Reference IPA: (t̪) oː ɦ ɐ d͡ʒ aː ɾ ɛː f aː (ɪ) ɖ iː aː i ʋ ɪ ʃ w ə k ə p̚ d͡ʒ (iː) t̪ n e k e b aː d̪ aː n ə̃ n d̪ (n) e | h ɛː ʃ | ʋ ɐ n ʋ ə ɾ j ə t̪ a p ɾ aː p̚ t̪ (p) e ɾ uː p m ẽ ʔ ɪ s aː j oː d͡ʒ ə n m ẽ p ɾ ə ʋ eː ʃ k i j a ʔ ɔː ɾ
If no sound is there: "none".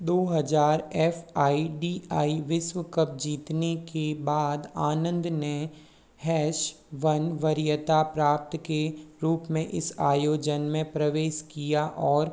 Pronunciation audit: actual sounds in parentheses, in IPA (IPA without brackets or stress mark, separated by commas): d̪, i, iː, n, k